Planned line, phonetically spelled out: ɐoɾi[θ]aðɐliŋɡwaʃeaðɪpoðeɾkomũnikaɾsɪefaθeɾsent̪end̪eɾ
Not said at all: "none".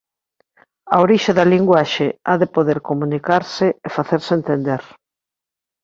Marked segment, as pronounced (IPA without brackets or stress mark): ʃ